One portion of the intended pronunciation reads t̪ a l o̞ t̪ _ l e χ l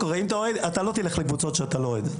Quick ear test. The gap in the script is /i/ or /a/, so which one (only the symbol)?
i